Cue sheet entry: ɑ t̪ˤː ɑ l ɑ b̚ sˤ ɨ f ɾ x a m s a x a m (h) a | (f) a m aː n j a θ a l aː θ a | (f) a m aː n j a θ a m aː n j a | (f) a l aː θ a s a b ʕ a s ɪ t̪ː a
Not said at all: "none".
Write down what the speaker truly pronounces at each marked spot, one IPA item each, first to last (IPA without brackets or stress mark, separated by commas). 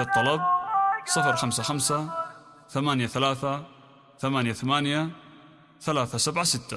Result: s, θ, θ, θ